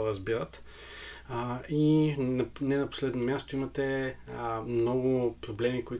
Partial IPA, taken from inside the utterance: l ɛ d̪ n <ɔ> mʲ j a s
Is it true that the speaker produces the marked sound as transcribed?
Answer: no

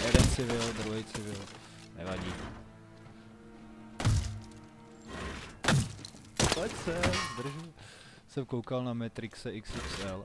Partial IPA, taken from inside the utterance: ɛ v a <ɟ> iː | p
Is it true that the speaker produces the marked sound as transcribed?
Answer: yes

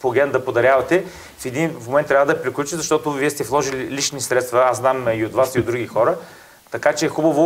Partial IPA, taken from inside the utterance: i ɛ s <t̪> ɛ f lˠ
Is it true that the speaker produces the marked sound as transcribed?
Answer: yes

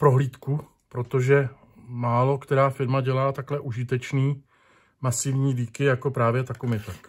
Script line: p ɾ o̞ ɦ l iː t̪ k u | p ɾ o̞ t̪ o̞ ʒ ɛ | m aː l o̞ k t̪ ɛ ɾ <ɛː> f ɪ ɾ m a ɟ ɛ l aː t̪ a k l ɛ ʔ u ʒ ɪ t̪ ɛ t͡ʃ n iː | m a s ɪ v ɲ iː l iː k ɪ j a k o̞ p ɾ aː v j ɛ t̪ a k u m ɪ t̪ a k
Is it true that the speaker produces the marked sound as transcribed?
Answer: no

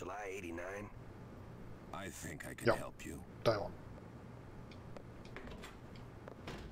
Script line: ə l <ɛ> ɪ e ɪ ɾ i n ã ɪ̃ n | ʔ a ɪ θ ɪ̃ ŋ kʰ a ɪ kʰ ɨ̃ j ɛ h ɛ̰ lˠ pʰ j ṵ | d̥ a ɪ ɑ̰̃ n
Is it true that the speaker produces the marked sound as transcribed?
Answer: no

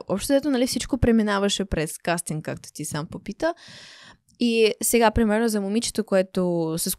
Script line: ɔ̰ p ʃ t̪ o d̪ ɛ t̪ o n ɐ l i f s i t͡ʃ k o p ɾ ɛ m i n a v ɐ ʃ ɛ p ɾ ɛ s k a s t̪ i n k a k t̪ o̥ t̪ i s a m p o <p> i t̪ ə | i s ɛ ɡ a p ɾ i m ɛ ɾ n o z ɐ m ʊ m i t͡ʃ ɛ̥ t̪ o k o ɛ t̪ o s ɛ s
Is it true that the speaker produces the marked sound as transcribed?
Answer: yes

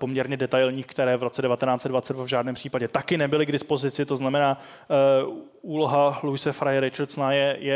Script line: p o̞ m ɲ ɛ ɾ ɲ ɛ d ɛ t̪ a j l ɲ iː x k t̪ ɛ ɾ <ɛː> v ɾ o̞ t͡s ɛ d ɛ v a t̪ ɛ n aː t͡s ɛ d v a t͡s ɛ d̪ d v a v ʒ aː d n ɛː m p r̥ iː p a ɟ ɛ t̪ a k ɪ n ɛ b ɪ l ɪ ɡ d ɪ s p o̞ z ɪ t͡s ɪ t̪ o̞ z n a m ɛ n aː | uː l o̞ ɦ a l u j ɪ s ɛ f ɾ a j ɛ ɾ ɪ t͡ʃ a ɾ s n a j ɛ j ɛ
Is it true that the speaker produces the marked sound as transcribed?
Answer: yes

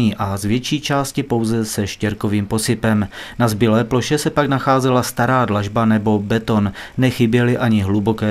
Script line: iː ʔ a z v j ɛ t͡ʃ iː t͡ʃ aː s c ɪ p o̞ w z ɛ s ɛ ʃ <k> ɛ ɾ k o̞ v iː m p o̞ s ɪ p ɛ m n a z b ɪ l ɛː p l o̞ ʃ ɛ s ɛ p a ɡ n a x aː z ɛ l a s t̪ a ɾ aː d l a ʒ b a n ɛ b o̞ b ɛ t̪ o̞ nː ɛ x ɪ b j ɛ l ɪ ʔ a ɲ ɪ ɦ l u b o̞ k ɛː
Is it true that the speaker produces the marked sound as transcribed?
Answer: no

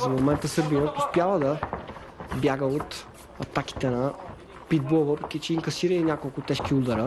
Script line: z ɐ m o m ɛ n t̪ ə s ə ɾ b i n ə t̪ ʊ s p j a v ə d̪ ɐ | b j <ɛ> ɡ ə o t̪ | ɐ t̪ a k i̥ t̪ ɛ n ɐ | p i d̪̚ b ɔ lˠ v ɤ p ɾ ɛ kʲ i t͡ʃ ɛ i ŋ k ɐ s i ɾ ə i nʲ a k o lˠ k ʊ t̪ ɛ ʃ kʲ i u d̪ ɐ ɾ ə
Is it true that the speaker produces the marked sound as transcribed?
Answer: no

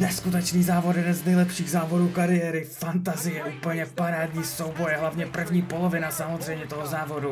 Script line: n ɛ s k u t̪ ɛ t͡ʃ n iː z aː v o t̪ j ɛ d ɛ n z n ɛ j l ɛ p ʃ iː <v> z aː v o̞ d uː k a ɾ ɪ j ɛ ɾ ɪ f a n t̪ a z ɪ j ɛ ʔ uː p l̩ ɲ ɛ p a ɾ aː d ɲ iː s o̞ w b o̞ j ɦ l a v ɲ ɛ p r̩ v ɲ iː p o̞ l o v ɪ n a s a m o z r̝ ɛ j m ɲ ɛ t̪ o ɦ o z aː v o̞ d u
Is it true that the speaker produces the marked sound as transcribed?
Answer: no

